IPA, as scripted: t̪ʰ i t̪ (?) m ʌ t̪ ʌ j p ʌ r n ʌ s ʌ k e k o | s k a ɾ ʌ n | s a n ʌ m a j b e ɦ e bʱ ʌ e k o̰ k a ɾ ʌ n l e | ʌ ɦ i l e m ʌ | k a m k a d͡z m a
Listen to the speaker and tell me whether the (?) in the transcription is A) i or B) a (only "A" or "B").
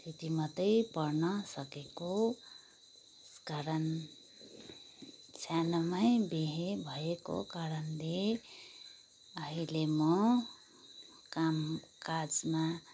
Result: A